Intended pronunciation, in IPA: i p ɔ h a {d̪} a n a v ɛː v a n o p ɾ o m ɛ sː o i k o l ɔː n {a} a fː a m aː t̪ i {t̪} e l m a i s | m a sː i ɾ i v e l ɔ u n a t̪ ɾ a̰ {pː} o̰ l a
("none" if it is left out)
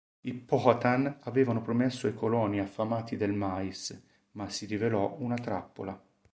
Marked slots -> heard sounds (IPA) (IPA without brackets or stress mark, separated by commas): t̪, i, d̪, pː